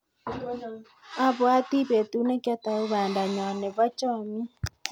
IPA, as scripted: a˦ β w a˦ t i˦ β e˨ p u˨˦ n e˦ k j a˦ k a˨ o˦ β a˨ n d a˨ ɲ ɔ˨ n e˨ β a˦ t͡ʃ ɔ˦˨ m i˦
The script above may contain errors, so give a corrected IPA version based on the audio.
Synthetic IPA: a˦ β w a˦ t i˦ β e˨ t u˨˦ n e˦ k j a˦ t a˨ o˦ β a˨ n d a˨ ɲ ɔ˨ n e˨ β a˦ t͡ʃ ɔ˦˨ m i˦